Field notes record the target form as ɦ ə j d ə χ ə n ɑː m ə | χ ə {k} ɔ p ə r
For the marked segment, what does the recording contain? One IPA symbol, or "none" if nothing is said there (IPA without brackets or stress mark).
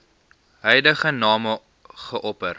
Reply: ʔ